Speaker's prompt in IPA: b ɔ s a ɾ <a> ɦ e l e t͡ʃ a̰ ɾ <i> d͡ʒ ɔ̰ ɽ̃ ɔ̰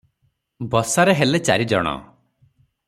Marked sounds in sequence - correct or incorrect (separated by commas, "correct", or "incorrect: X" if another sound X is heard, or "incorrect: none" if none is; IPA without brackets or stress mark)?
incorrect: e, correct